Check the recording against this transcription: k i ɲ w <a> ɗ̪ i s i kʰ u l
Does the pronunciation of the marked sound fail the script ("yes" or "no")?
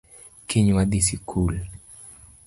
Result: no